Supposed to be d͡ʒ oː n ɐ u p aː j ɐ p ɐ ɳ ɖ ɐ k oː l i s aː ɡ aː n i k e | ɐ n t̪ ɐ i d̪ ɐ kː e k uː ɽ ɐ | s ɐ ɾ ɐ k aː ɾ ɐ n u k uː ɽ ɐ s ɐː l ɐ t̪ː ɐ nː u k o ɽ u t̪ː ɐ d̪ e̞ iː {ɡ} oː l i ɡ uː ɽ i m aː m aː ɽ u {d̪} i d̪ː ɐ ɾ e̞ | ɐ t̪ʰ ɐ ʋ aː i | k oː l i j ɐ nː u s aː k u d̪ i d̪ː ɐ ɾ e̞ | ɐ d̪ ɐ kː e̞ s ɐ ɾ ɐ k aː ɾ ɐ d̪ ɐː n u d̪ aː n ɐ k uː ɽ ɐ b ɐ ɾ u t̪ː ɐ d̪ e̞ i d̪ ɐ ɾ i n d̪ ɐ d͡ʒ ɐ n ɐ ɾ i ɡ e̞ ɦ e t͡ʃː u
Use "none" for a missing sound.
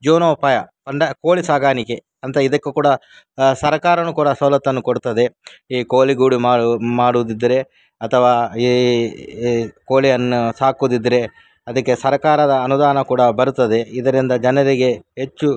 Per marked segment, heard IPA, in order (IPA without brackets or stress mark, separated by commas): k, d̪